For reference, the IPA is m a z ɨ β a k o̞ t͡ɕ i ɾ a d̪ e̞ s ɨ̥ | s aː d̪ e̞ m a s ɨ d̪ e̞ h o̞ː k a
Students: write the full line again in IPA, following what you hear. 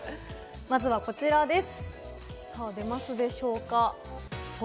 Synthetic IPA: m a z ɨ β a k o̞ t͡ɕ i ɾ a d̪ e̞ s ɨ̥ | s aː d̪ e̞ m a s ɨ d̪ e̞ ɕ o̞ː k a